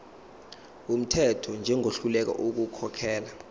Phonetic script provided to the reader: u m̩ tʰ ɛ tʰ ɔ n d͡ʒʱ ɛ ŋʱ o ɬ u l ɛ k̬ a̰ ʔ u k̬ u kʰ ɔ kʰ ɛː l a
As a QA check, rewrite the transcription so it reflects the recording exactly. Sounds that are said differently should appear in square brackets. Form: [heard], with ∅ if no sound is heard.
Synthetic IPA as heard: u m̩ tʰ ɛ tʰ ɔ n d͡ʒʱ ɛ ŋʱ o ɬ u l ɛ k̬ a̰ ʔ u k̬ u kʰ ɔ kʰ ɛː l a